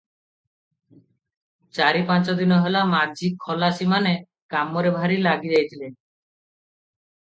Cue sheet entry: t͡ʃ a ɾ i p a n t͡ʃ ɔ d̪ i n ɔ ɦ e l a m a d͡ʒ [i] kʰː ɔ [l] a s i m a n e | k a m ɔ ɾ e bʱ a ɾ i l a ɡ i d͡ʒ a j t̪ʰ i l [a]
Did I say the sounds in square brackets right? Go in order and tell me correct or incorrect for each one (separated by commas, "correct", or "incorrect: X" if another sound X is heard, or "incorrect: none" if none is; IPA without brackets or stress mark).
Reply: correct, correct, incorrect: e